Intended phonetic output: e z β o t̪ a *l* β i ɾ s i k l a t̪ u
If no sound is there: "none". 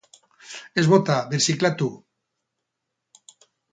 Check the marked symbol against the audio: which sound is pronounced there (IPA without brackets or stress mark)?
none